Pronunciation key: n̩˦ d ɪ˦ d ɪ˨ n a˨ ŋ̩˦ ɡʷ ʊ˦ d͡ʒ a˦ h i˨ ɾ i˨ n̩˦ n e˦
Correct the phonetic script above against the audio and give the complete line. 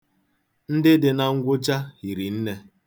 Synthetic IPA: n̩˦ d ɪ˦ d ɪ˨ n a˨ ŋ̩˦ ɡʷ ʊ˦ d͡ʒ a˦ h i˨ ɾ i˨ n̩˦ n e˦

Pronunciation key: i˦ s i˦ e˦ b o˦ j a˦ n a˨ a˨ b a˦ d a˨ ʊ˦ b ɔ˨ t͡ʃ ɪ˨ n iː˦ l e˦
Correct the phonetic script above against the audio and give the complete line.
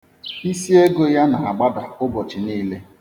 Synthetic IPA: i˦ s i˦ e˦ ɡ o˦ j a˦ n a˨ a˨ ɡ͡b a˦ d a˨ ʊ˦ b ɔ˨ t͡ʃ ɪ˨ n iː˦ l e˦

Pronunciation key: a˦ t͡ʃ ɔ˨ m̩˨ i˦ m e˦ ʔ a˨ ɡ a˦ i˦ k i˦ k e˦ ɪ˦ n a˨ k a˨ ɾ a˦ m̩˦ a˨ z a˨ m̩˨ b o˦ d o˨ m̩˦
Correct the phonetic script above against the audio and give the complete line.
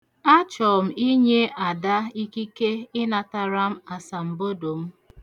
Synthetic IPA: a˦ t͡ʃ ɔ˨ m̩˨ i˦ ɲ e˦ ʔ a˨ d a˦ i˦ k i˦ k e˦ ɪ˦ n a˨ t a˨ ɾ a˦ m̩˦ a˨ s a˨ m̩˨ b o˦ d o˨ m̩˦

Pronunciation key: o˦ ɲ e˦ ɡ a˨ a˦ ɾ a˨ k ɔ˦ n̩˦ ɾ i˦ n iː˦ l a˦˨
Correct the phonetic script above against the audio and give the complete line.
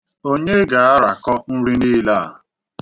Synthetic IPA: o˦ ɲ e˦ ɡ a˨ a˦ ɾ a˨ k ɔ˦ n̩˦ ɾ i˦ n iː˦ l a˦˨

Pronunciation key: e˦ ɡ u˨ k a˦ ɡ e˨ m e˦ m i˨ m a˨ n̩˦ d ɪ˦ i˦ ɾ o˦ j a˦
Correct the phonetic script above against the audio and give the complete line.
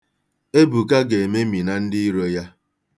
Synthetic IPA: e˦ b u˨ k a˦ ɡ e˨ m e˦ m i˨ n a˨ n̩˦ d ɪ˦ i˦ ɾ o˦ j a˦

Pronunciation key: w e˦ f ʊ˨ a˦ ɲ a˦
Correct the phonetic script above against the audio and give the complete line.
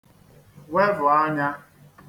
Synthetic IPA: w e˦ v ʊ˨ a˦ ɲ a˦

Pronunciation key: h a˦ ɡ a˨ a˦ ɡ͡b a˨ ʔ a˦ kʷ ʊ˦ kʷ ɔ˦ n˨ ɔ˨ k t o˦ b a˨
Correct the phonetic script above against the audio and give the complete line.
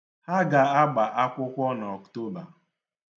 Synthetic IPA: h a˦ ɡ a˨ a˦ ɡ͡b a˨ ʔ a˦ kʷ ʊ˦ kʷ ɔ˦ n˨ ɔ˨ k t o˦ b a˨

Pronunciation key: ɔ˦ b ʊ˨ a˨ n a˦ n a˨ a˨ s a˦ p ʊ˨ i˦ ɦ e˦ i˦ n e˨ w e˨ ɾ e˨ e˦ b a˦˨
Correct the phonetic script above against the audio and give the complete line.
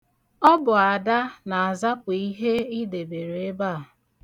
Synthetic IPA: ɔ˦ b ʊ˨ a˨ d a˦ n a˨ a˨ z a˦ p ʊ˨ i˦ ɦ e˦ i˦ d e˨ b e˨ ɾ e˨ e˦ b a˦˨

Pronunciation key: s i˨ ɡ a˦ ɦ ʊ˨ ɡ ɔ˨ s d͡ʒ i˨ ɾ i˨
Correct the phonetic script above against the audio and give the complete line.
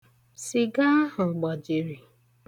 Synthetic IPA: s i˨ ɡ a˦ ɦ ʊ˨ ɡ͡b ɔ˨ d͡ʒ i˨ ɾ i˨

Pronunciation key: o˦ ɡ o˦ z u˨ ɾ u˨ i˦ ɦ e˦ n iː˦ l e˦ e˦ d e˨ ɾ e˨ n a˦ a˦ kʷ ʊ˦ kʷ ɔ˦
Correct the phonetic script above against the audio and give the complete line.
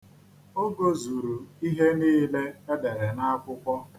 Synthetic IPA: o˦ ɡ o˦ z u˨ ɾ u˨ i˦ ɦ e˦ n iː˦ l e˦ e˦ d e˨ ɾ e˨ n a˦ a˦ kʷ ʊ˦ kʷ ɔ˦

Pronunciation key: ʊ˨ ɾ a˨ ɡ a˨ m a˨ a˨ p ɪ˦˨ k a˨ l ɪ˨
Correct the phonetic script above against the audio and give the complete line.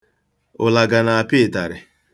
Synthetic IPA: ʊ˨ l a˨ ɡ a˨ n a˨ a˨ p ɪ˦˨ t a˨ ɾ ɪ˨

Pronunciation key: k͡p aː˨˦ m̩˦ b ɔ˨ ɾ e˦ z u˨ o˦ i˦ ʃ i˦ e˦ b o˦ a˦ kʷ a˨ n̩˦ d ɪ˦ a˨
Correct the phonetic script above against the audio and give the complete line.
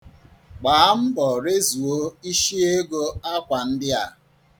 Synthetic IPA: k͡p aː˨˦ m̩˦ b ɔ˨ ɾ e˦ z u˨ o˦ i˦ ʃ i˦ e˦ ɡ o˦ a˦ kʷ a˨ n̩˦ d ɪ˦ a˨

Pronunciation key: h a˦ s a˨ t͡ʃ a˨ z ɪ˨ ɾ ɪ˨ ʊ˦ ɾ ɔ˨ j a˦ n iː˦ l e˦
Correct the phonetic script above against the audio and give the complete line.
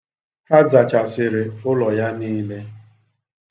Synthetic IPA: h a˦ z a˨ t͡ʃ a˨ s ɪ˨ ɾ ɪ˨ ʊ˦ l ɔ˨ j a˦ n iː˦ l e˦

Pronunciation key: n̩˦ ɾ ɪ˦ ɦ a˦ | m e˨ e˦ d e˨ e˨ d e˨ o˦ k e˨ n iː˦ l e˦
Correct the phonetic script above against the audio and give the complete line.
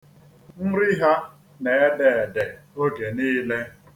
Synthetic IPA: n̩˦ ɾ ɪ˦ ɦ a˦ | n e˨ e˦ d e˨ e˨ d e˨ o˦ ɡ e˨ n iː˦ l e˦

